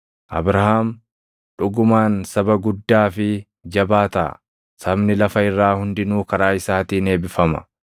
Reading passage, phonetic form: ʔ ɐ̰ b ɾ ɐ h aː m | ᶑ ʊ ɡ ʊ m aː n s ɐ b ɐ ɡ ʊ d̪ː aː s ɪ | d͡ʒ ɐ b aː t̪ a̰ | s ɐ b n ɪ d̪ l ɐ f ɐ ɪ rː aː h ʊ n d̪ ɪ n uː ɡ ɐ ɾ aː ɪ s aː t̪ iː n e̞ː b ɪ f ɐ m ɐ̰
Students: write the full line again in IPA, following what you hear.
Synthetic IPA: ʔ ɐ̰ b ɾ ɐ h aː m | ᶑ ʊ ɡ ʊ m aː n s ɐ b ɐ ɡ ʊ d̪ː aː f ɪ | d͡ʒ ɐ b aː t̪ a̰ | s ɐ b n ɪ l ɐ f ɐ ɪ rː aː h ʊ n d̪ ɪ n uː k ɐ ɾ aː ɪ s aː t̪ iː n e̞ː b ɪ f ɐ m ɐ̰

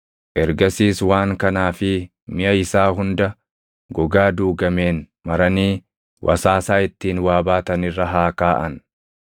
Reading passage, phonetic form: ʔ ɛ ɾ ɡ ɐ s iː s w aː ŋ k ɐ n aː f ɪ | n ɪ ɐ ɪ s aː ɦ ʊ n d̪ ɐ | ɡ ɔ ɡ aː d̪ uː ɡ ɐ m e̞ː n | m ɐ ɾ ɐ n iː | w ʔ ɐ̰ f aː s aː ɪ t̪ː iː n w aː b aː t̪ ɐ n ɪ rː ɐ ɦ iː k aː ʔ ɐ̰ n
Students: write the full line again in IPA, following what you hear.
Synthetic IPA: ʔ ɛ ɾ ɡ ɐ s iː s w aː ŋ k ɐ n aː f ɪ | m ɪ ɐ ɪ s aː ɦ ʊ n d̪ ɐ | ɡ ɔ ɡ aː d̪ uː ɡ ɐ m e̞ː n | m ɐ ɾ ɐ n iː | w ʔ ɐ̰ s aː s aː ɪ t̪ː iː n w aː b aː t̪ ɐ n ɪ rː ɐ ɦ aː k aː ʔ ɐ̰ n

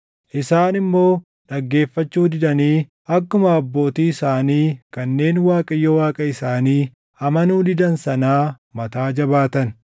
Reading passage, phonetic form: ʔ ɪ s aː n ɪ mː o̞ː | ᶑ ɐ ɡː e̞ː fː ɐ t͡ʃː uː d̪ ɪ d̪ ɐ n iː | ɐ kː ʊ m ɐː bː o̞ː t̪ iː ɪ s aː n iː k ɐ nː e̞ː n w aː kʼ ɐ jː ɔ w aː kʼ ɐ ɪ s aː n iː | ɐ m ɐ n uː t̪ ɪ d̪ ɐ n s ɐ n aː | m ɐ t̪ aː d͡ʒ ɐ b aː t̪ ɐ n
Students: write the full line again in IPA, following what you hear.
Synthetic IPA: ʔ ɪ s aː n ɪ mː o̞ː | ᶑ ɐ ɡː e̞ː fː ɐ t͡ʃː uː d̪ ɪ d̪ ɐ n iː | ɐ kː ʊ m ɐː bː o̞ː t̪ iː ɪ s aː n iː k ɐ nː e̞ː n w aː kʼ ɐ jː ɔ w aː kʼ ɐ ɪ s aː n iː | ɐ m ɐ n uː d̪ ɪ d̪ ɐ n s ɐ n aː | m ɐ t̪ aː d͡ʒ ɐ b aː t̪ ɐ n

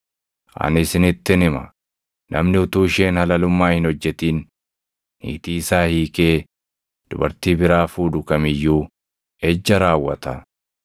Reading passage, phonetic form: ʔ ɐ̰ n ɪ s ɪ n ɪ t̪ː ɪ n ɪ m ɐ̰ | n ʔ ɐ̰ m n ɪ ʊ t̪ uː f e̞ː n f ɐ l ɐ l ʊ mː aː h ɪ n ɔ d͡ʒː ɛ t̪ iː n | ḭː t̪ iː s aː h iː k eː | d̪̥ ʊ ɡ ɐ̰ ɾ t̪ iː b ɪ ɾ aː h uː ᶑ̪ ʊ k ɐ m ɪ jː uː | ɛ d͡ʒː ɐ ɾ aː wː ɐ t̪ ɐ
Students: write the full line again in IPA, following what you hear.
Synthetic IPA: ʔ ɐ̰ n ɪ s ɪ n ɪ t̪ː ɪ n ɪ m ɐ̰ | n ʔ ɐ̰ m n ɪ ʊ t̪ uː ʃ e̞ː n h ɐ l ɐ l ʊ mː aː h ɪ n ɔ d͡ʒː ɛ t̪ iː n | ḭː t̪ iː s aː h iː k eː | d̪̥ ʊ b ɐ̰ ɾ t̪ iː b ɪ ɾ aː f uː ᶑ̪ ʊ k ɐ m ɪ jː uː | ɛ d͡ʒː ɐ ɾ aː wː ɐ t̪ ɐ

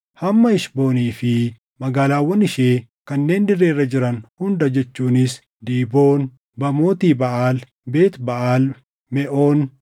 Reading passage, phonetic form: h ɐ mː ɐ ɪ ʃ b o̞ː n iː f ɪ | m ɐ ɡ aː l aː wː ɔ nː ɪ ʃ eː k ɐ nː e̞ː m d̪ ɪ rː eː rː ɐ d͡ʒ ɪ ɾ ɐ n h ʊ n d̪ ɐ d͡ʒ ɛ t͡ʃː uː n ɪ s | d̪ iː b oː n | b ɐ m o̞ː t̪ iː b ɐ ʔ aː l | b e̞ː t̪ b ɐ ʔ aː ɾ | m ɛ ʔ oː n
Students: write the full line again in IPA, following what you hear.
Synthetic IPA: h ɐ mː ɐ ɪ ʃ b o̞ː n iː f ɪ | m ɐ ɡ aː l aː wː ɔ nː ɪ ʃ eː k ɐ nː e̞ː n d̪ ɪ rː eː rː ɐ d͡ʒ ɪ ɾ ɐ n h ʊ n d̪ ɐ d͡ʒ ɛ t͡ʃː uː n ɪ s | d̪ iː b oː n | b ɐ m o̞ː t̪ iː b ɐ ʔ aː l | b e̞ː t̪ b ɐ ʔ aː l | m ɛ ʔ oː n

